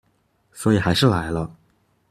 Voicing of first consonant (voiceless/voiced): voiceless